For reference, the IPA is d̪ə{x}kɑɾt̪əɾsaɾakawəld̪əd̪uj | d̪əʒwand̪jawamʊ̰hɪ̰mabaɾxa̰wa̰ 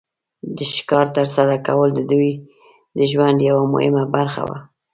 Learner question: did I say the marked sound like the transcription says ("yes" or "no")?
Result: no